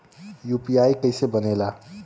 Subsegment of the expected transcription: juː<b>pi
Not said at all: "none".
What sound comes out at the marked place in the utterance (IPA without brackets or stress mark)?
none